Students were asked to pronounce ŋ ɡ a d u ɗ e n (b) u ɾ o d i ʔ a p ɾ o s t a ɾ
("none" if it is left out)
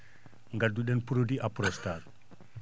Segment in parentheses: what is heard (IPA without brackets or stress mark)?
p